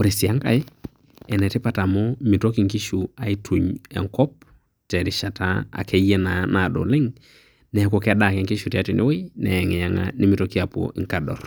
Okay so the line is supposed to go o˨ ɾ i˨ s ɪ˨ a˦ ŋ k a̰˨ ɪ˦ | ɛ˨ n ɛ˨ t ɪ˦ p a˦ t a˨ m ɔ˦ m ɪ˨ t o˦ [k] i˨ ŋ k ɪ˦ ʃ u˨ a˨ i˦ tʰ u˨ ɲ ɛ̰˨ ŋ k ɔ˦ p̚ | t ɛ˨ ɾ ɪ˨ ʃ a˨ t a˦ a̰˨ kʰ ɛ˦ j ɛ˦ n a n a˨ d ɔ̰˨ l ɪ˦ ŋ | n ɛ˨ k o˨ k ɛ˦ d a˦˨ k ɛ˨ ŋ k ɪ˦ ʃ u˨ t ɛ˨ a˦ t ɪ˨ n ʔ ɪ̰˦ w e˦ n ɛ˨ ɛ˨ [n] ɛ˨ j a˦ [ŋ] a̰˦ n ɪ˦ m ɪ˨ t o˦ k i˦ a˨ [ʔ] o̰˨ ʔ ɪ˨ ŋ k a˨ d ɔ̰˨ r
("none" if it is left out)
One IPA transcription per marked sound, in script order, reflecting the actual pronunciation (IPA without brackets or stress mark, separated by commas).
k, ŋ, ŋ, p